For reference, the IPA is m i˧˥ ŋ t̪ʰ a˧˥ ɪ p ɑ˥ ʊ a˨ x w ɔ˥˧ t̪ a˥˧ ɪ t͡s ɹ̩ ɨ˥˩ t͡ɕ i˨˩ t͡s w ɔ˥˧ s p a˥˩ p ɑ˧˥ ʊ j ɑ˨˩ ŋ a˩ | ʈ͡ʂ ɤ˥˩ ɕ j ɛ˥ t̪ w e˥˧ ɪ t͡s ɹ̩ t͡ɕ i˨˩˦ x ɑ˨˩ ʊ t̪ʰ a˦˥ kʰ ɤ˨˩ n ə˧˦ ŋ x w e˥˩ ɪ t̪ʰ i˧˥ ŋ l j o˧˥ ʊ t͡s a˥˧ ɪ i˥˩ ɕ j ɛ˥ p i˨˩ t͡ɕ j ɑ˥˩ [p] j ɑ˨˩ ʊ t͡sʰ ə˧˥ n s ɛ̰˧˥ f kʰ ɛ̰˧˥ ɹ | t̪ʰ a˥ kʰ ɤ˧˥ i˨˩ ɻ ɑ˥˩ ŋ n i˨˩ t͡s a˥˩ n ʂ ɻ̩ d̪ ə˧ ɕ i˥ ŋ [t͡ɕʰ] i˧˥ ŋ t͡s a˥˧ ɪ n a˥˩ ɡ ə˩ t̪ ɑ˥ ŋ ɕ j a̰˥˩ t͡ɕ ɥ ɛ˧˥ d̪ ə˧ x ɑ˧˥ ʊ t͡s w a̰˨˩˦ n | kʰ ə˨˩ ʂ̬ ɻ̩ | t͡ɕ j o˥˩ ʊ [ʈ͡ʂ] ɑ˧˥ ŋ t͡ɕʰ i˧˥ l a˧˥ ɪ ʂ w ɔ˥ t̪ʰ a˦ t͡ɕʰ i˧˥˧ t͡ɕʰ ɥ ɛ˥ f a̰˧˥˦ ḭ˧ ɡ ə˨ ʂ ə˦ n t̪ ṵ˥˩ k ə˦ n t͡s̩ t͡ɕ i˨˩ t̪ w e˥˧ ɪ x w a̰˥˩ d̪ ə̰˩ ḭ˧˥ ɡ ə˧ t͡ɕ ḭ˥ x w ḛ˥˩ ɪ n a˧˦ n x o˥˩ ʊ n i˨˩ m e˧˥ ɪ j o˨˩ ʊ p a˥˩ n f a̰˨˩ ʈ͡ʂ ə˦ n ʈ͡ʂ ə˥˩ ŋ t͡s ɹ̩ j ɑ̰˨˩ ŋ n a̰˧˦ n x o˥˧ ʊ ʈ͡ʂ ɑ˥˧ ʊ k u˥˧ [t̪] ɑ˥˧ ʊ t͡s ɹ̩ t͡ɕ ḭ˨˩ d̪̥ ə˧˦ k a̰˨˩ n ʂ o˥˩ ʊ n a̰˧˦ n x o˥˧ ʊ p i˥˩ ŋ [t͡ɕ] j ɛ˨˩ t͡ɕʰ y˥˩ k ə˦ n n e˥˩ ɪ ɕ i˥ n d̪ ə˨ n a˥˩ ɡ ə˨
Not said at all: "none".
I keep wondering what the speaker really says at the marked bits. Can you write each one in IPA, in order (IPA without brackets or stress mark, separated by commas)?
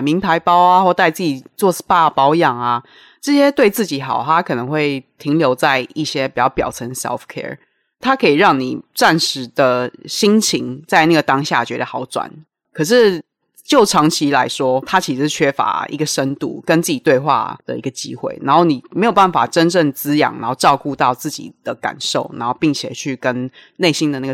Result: p, t͡ɕʰ, ʈ͡ʂʰ, t̪, t͡ɕʰ